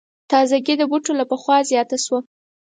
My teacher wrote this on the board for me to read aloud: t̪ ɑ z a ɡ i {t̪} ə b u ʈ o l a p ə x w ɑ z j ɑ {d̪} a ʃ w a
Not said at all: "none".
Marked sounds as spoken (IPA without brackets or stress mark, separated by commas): d̪, t̪